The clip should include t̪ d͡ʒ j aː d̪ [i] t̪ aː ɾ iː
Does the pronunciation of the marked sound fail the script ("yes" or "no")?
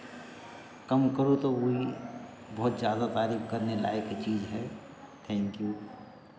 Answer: yes